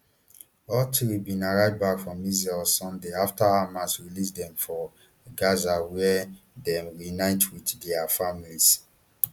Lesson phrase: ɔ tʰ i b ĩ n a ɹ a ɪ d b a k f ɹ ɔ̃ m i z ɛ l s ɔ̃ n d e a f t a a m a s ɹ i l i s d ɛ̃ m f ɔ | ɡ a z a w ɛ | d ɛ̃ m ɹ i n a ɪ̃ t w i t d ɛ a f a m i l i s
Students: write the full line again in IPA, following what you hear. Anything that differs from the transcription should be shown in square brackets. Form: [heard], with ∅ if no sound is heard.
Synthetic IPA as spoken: ɔ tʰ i b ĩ n a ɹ a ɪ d b a k f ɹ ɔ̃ m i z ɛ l s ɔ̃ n d e a f t a a m a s ɹ i l i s d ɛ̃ m f ɔ | ɡ a z a w ɛ | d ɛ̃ m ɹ i n a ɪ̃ t w i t d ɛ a f a m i l i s